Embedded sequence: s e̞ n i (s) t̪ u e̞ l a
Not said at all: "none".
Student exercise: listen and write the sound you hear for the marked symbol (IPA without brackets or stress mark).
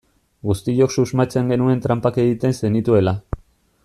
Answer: none